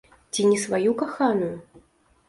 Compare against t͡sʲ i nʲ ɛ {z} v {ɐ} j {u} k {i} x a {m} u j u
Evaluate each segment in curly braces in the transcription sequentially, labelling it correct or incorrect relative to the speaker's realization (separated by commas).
incorrect, incorrect, correct, incorrect, incorrect